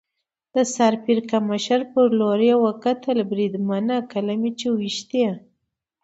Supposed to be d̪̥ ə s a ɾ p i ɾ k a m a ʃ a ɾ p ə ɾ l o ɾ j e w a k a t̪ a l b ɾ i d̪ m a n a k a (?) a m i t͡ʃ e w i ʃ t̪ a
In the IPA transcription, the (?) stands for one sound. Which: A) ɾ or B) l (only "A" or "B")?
B